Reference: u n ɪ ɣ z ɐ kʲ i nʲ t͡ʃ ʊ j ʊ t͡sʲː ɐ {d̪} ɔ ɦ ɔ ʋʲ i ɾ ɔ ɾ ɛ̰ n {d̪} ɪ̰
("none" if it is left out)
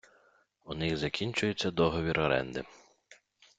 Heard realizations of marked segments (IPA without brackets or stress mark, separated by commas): d̪, d̪